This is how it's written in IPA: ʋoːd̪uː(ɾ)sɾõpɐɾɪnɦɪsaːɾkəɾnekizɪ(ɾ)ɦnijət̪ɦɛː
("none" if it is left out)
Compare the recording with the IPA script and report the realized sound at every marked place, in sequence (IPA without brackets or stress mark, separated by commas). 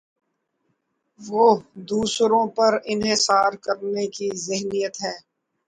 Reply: none, none